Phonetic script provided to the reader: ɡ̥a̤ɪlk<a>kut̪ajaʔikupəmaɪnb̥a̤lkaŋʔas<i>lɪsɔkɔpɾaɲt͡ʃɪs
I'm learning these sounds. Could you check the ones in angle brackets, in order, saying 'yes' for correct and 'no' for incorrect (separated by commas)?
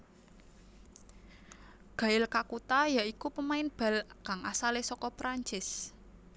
yes, no